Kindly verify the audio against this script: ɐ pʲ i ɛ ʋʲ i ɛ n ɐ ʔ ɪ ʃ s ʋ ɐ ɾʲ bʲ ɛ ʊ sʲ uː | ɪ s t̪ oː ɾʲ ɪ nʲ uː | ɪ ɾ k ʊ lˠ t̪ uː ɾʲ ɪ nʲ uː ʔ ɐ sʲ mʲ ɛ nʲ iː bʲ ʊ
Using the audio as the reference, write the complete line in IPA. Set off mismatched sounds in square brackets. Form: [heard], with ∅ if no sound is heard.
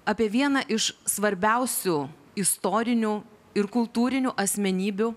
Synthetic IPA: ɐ pʲ i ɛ ʋʲ i ɛ n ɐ ʔ ɪ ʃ s ʋ ɐ ɾʲ bʲ ɛ ʊ sʲ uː | ɪ s t̪ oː ɾʲ ɪ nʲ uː | ɪ ɾ k ʊ lˠ t̪ uː ɾʲ ɪ nʲ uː ʔ ɐ sʲ mʲ ɛ nʲ iː bʲ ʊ